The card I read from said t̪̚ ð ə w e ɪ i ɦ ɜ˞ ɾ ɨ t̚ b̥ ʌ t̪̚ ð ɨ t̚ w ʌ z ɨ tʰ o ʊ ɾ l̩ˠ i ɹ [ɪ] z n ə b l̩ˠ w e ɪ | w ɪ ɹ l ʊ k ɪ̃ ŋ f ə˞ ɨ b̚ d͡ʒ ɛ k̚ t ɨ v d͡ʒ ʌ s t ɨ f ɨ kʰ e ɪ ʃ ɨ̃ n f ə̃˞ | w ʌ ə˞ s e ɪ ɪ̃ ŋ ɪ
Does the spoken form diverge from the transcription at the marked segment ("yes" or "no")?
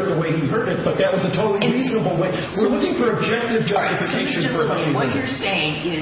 yes